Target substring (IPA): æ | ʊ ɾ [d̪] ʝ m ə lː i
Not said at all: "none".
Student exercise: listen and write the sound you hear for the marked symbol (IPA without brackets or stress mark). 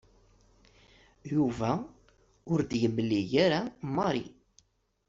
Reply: d̪